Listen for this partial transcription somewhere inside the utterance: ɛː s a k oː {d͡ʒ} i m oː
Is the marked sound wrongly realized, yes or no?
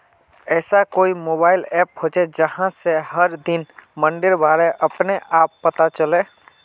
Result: yes